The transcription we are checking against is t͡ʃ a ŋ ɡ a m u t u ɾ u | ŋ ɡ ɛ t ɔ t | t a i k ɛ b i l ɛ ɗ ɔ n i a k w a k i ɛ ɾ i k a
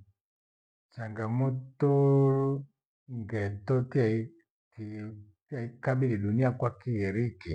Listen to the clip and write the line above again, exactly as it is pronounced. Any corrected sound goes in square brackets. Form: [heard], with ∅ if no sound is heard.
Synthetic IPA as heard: t͡ʃ a ŋ ɡ a m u t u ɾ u | ŋ ɡ ɛ t ɔ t | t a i k [a] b i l [i] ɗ [u] n i a k w a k i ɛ ɾ i k [i]